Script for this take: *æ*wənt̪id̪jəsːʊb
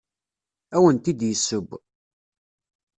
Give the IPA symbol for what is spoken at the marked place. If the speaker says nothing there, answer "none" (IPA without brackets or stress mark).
æ